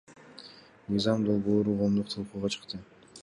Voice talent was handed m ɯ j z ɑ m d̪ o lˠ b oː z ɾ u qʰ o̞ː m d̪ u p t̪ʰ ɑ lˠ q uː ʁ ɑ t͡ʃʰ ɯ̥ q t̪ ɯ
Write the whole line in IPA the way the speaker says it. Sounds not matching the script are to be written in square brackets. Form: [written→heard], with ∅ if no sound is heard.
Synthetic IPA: m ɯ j z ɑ m d̪ o lˠ b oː [z→∅] ɾ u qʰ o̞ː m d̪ u [p→q] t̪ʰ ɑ lˠ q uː ʁ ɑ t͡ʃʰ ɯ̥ q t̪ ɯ